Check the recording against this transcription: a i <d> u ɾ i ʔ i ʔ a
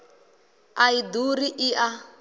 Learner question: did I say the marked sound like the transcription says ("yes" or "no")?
yes